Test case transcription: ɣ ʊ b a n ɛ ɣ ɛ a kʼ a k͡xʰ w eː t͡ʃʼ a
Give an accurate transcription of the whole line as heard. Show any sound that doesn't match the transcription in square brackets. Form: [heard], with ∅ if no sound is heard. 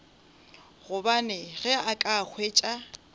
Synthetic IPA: ɣ ʊ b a n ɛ ɣ ɛ a kʼ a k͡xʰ w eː t͡ʃʼ a